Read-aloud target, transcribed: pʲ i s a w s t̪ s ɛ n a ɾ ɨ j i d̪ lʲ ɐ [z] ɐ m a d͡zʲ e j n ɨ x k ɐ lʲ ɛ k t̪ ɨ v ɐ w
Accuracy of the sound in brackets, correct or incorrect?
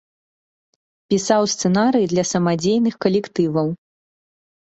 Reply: incorrect: s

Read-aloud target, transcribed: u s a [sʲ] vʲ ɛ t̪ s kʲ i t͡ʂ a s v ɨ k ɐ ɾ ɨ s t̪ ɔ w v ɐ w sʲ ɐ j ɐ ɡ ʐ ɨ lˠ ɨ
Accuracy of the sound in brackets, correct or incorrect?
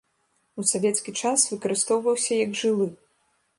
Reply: incorrect: none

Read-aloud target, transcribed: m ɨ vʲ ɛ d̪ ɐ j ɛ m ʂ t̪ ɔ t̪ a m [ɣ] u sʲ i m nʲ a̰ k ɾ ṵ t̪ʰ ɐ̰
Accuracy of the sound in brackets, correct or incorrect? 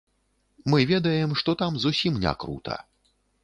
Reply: incorrect: z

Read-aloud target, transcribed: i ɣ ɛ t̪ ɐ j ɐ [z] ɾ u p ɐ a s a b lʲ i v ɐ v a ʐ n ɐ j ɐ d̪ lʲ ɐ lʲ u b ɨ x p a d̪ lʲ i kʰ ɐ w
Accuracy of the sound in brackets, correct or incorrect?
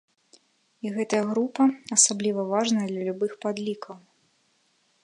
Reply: incorrect: ɣ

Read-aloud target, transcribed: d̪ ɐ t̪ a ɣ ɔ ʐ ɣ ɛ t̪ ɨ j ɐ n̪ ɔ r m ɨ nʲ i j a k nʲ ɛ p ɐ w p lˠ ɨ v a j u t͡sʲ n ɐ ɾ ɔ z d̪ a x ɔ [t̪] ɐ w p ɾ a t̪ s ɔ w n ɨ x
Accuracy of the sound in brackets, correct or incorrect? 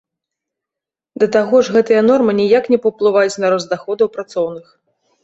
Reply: incorrect: d̪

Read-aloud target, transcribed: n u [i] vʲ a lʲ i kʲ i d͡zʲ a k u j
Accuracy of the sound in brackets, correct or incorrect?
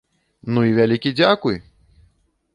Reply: correct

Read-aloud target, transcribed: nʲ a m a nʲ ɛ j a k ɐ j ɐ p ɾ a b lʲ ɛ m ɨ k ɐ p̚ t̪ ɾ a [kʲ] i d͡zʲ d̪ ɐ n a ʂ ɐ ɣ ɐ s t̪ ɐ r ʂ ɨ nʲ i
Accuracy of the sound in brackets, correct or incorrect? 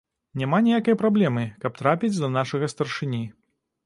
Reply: incorrect: pʲ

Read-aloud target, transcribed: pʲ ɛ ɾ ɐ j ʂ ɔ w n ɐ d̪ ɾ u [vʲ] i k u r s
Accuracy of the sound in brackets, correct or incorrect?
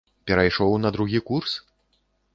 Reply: incorrect: ɣʲ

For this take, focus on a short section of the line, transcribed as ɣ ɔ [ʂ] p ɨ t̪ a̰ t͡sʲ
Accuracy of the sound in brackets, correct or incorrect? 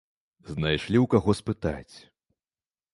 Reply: incorrect: s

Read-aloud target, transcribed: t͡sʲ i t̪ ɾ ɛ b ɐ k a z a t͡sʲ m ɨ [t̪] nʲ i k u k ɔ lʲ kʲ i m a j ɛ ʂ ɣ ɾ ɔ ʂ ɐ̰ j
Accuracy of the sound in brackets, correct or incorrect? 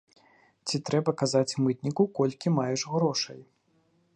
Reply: correct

